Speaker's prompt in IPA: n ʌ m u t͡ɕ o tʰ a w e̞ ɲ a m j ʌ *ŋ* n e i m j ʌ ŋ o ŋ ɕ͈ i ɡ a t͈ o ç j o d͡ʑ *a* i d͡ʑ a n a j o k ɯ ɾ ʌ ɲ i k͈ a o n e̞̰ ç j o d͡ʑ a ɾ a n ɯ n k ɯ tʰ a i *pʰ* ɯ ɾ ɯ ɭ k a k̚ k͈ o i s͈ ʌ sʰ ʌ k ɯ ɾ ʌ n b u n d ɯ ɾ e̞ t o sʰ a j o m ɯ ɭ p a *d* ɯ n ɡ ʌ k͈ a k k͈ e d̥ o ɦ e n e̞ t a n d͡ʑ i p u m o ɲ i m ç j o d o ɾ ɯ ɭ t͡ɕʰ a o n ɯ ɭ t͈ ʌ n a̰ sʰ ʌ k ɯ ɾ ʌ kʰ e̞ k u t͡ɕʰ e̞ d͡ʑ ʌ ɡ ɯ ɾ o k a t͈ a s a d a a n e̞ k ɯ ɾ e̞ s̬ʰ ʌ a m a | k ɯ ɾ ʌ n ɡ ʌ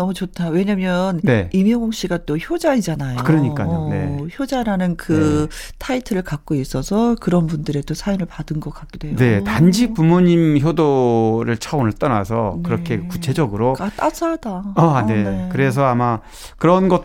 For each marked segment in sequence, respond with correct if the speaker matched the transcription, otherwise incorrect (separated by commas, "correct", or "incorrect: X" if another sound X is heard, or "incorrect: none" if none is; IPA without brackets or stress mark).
incorrect: n, correct, incorrect: tʰ, correct